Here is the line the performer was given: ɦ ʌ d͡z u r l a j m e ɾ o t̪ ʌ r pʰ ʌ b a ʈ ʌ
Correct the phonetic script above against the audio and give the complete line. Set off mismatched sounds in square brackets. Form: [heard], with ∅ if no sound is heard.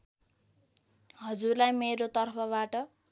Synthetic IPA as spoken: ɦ ʌ d͡z u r l a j m e ɾ o t̪ ʌ r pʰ ʌ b a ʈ ʌ